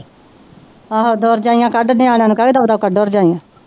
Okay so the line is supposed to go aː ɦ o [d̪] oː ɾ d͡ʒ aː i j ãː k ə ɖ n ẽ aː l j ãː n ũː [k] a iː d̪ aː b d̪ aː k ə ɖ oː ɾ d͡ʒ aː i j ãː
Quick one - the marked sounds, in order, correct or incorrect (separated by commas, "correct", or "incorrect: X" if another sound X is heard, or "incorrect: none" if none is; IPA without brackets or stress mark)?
correct, correct